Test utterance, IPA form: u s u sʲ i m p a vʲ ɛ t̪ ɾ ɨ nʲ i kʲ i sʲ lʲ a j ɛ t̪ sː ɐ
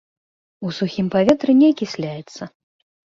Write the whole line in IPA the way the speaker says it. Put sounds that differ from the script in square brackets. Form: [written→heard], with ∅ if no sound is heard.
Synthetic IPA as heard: u s u [sʲ→xʲ] i m p a vʲ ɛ t̪ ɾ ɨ nʲ [i→ɛ] kʲ i sʲ lʲ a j ɛ t̪ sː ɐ